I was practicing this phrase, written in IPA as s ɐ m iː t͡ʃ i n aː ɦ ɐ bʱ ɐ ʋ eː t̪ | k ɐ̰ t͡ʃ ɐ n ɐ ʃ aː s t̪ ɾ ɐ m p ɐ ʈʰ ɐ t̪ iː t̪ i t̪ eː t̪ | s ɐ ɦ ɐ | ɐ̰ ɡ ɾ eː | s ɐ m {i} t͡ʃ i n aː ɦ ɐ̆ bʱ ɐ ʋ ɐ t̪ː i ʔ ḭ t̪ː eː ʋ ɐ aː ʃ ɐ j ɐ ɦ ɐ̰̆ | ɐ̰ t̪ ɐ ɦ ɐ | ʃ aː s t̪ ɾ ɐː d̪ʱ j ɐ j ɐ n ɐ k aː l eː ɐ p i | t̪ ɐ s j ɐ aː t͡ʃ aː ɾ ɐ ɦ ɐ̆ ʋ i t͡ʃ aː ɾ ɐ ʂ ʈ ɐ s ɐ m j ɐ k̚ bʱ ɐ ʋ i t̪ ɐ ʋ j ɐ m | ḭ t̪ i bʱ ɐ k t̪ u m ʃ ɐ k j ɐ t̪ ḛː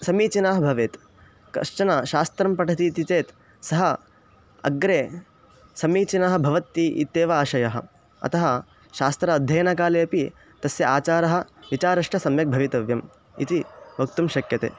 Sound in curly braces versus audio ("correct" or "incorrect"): incorrect